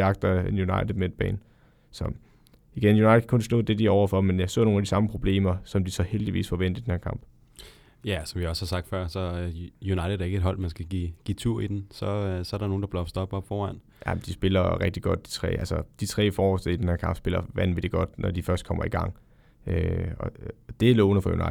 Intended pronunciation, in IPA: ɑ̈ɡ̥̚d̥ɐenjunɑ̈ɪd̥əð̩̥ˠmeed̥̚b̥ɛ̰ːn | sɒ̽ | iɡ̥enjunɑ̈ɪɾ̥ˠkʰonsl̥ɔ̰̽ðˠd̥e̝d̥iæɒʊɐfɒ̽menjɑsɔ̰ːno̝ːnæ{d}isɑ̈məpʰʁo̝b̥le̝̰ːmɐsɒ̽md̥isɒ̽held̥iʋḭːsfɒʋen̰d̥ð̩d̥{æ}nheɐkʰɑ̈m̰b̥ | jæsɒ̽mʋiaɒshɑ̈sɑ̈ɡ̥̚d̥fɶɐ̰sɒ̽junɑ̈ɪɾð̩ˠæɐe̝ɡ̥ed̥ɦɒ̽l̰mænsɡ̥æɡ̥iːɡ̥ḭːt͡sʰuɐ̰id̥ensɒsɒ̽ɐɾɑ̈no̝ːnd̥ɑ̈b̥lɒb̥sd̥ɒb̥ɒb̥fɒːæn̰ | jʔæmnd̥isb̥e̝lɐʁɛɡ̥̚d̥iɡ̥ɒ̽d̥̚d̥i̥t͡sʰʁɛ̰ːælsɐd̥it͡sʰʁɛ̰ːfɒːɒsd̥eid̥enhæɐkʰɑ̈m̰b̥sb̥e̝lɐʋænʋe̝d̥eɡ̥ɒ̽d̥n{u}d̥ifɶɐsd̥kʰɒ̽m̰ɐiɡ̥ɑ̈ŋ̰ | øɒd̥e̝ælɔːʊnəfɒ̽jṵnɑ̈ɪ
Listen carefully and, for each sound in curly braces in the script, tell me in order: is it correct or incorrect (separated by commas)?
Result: correct, incorrect, incorrect